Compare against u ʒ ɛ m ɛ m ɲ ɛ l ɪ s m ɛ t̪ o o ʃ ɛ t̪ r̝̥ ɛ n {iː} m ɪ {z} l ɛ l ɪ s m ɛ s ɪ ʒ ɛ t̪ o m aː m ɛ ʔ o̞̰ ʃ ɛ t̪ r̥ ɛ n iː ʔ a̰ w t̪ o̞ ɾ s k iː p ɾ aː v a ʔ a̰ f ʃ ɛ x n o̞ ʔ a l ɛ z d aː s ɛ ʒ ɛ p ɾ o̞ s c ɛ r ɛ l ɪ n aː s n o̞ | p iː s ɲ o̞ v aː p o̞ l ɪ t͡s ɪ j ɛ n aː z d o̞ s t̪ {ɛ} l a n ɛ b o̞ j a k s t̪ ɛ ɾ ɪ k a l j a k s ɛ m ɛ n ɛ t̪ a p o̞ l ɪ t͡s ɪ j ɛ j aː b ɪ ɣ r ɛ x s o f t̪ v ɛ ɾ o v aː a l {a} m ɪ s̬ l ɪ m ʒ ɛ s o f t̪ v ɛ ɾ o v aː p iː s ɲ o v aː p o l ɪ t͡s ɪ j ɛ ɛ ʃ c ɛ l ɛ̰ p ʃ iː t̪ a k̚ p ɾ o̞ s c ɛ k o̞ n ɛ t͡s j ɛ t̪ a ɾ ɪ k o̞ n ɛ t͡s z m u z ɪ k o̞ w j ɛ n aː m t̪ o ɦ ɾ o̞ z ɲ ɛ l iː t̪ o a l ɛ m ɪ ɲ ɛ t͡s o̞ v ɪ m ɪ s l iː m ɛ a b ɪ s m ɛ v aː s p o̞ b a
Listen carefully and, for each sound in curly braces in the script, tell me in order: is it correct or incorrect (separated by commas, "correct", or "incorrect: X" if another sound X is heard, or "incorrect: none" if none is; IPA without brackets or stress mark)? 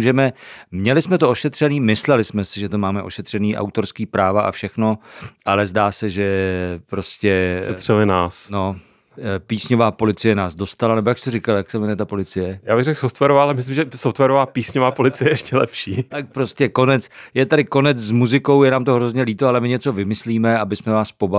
correct, incorrect: s, incorrect: a, incorrect: ɛ